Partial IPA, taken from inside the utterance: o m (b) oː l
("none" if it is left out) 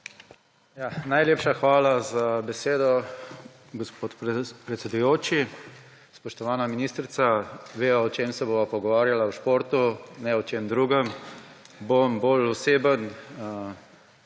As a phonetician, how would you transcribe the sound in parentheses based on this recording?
b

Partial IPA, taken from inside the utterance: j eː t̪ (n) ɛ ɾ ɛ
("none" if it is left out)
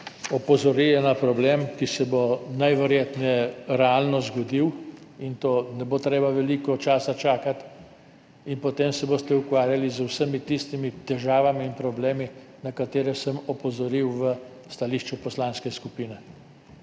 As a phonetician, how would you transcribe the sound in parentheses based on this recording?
n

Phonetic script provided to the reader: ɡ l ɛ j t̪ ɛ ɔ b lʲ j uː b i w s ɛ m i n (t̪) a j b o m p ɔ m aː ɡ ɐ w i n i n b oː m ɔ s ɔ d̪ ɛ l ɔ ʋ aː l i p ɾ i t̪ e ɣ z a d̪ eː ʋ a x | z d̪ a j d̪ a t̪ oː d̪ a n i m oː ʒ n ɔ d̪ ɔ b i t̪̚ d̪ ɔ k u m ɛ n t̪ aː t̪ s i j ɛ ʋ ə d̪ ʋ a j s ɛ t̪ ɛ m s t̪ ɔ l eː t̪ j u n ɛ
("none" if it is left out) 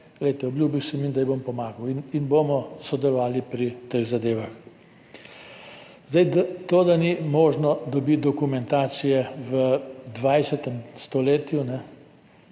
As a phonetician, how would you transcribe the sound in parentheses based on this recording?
d̪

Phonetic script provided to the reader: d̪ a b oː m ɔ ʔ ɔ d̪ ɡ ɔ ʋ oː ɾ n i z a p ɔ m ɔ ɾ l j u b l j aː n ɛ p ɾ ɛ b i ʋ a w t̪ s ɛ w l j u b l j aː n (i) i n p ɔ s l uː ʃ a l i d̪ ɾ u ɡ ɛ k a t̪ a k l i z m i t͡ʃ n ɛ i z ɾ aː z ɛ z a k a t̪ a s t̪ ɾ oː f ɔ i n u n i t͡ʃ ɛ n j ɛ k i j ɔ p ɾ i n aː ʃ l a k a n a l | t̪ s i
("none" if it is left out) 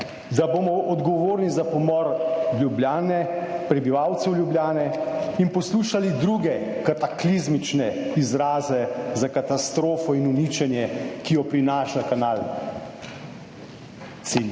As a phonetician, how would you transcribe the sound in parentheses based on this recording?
ɛ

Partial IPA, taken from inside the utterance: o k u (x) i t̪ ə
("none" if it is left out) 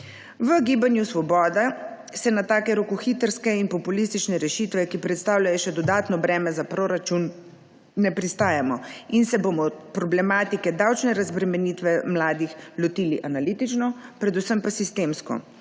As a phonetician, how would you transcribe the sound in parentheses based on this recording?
x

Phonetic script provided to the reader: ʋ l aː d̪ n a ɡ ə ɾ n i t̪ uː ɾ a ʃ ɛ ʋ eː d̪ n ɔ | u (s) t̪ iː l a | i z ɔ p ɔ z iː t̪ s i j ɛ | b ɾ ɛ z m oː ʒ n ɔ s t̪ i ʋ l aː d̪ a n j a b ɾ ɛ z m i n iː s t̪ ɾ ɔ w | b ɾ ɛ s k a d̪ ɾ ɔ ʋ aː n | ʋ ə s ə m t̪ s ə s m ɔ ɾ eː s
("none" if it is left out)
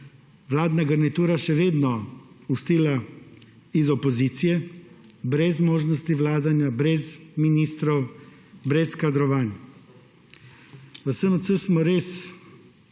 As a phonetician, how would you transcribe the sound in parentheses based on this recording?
s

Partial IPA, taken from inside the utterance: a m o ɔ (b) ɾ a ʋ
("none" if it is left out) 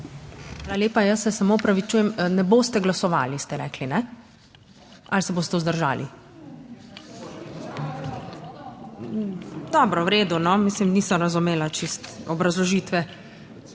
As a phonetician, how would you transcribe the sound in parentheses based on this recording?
p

